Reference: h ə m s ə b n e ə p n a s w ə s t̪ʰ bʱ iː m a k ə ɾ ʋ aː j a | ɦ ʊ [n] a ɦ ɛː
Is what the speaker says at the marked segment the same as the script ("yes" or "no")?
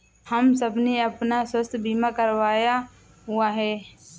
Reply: no